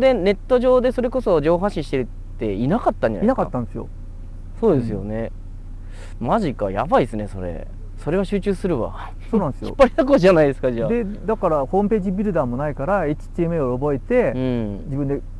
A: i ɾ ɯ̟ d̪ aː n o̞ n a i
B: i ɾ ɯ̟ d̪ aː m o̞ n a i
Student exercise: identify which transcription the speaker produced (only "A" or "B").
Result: B